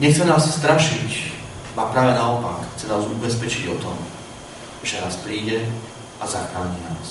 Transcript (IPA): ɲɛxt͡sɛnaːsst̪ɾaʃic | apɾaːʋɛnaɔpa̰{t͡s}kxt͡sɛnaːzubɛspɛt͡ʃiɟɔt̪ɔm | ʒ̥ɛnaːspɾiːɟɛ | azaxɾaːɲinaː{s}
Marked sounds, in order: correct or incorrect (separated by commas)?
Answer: incorrect, correct